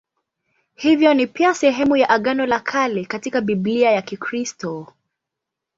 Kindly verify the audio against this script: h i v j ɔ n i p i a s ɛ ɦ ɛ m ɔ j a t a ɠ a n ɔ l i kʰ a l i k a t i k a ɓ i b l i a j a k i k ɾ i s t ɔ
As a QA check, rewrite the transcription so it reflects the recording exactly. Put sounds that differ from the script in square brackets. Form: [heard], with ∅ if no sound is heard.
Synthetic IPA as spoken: h i v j ɔ n i p i a s ɛ ɦ ɛ m [u] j a [ʔ] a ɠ a n ɔ l [a] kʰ a l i k a t i k a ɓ i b l i a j a k i k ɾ i s t ɔ